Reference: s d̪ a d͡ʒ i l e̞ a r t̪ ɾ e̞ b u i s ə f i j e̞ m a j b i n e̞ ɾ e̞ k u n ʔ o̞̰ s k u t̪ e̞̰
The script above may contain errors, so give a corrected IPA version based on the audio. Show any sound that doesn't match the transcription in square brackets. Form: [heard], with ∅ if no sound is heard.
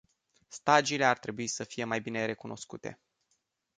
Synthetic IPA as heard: s [t̪] a d͡ʒ i l e̞ a r t̪ ɾ e̞ b u i s ə f i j e̞ m a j b i n e̞ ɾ e̞ k u n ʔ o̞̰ s k u t̪ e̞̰